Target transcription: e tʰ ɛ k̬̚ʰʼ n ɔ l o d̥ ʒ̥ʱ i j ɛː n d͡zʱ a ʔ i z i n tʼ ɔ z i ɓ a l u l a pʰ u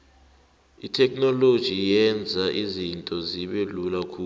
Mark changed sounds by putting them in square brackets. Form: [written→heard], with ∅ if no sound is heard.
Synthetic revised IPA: [e→i] tʰ ɛ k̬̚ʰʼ n ɔ l o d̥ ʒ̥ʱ i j [ɛː→ɛ] n d͡zʱ a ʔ i z i n tʼ ɔ z i ɓ [a→e] l u l a [pʰ→kʰ] u